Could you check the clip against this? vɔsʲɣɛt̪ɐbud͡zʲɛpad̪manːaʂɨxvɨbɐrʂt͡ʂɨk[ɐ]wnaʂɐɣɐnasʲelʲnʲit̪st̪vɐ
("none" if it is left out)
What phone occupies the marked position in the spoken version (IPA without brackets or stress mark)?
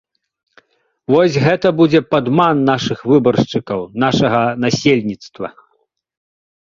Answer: ɐ